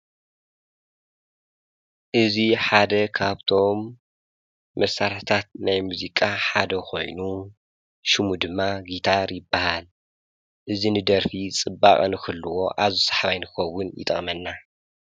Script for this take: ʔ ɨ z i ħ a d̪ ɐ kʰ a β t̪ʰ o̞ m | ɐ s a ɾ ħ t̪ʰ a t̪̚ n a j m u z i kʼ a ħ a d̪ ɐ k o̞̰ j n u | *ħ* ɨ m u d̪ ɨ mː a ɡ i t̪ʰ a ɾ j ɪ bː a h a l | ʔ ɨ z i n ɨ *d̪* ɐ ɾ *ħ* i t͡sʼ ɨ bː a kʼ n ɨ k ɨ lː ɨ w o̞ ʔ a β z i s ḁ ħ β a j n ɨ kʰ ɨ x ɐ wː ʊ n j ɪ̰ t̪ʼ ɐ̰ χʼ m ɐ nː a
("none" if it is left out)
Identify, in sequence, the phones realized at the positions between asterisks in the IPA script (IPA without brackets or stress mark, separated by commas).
ʃ, d̪, f